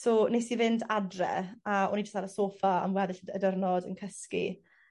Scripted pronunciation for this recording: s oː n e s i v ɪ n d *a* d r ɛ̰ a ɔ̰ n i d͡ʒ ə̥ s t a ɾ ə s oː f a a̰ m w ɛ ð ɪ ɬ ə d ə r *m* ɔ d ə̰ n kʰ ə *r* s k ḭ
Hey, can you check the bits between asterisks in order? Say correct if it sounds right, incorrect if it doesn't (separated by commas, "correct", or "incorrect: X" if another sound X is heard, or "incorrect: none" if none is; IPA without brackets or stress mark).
correct, incorrect: n, incorrect: none